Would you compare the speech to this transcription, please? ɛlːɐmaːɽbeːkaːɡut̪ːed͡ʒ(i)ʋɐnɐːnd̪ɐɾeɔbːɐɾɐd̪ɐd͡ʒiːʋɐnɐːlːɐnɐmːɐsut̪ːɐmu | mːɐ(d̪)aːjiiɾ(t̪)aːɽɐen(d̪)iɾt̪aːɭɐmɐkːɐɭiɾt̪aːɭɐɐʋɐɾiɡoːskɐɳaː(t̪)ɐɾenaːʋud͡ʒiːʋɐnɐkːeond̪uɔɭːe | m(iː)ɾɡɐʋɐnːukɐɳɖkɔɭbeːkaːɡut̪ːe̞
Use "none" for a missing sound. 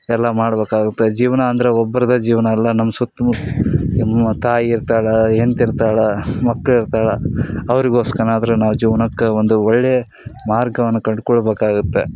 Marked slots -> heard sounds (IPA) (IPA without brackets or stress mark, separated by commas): iː, t̪, t̪, t̪, d̪, aː